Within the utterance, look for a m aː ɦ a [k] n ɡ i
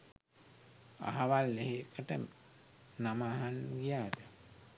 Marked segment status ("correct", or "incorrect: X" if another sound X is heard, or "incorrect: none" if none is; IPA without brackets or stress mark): incorrect: none